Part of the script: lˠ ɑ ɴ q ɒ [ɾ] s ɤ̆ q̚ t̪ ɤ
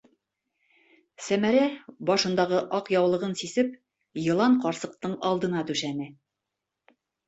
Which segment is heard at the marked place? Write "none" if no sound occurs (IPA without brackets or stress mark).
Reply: ɾ